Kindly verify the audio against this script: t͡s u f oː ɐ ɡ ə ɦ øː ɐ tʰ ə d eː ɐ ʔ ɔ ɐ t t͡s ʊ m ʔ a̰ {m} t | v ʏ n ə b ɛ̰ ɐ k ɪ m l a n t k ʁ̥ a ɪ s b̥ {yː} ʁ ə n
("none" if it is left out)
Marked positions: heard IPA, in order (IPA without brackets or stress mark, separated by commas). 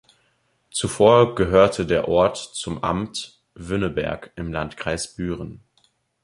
m, yː